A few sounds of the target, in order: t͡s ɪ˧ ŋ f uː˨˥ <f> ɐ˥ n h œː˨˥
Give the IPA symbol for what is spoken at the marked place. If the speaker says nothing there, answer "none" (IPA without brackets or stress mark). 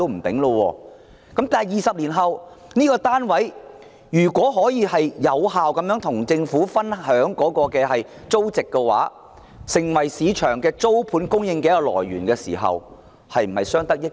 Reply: f